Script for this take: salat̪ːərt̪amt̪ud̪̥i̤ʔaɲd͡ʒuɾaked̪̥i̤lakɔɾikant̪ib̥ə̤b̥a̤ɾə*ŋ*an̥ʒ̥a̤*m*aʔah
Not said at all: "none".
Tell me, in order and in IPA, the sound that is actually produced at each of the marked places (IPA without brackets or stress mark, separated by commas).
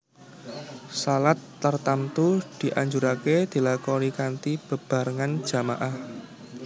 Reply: ŋ, m